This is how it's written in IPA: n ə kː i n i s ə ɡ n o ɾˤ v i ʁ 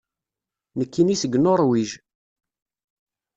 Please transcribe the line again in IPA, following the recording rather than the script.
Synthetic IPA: n ə kː i n i s ə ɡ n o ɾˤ w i ʒ